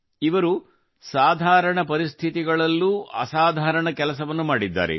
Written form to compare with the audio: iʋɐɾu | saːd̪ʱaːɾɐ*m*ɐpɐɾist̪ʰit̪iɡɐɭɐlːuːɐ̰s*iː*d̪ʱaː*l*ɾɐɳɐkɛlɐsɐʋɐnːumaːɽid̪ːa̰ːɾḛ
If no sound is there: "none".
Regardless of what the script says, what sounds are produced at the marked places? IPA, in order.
ɳ, aː, none

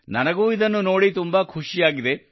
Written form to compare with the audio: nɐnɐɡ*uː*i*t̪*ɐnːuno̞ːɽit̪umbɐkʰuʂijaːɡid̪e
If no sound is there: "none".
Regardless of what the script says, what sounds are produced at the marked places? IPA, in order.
uː, d̪

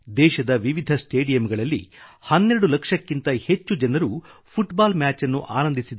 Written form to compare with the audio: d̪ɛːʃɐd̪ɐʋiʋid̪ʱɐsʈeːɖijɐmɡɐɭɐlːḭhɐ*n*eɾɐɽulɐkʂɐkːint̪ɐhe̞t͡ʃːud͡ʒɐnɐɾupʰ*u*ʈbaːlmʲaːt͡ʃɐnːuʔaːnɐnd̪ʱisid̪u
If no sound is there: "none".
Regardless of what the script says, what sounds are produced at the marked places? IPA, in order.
nː, u

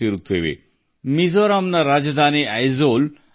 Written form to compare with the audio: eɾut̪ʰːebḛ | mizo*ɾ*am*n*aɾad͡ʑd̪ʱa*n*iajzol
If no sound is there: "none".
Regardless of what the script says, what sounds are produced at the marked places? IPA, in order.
ɾ, n, n

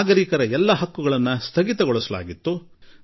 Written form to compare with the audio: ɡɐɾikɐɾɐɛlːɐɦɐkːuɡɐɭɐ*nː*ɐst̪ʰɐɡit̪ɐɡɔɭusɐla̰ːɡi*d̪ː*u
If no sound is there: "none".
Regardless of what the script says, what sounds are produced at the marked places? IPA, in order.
nː, t̪ː

